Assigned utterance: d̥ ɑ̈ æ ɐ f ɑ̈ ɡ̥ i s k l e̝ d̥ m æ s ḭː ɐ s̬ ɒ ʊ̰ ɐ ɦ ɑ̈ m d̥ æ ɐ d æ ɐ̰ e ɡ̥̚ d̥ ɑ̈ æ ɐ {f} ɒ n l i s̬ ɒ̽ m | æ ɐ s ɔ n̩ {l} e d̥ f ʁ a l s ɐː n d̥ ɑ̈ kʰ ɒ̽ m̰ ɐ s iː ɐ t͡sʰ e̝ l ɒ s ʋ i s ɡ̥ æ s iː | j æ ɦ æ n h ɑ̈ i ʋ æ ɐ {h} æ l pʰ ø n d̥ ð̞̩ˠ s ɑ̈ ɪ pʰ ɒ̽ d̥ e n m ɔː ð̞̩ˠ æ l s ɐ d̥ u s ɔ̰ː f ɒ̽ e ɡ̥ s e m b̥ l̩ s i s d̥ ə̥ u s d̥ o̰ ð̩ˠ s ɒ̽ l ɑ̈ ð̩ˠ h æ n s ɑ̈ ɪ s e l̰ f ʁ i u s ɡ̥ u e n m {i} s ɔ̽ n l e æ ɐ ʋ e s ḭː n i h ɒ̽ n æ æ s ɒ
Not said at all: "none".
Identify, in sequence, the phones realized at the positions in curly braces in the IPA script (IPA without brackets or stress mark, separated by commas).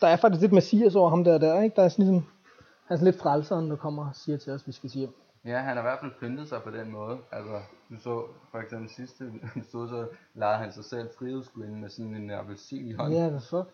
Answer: s, l, f, e